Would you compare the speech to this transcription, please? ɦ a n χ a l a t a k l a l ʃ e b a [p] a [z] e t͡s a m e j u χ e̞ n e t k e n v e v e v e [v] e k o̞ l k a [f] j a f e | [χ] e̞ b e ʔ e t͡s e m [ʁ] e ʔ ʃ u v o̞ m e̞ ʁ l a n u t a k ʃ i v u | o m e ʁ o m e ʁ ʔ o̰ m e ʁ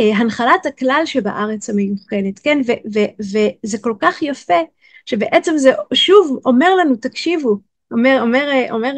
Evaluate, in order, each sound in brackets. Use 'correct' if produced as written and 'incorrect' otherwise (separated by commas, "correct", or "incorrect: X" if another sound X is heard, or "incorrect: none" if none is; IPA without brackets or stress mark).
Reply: incorrect: ʔ, incorrect: ʁ, incorrect: z, incorrect: χ, incorrect: ʃ, incorrect: z